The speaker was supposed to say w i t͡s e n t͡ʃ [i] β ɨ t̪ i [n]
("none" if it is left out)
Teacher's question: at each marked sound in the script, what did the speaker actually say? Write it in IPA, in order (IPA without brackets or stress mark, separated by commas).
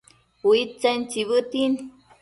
i, n